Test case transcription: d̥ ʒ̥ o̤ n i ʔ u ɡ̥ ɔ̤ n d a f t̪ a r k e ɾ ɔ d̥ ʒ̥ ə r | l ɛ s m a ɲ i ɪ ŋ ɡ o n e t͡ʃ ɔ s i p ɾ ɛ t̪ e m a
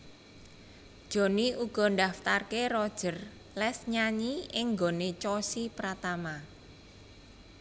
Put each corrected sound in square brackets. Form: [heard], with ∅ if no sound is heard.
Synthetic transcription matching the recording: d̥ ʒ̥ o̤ n i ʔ u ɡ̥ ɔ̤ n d a f t̪ a r k e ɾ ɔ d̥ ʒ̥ ə r | l ɛ s [ɲ] a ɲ i ɪ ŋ ɡ o n e t͡ʃ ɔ s i p ɾ [a] t̪ [a] m a